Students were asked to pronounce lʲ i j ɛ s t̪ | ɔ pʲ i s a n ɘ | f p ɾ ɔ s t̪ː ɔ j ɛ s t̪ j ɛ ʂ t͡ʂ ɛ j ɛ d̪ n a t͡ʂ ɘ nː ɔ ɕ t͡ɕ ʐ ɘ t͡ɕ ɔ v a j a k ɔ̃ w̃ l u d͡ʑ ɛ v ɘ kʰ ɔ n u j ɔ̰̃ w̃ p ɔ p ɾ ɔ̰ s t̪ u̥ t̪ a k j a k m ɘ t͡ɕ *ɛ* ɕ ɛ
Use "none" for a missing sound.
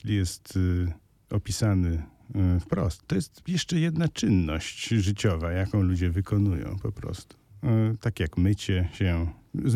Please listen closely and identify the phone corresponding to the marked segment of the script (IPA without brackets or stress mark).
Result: ɛ